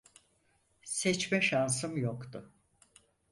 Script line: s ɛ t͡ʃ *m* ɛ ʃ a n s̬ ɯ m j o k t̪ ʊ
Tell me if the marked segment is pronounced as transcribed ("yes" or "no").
yes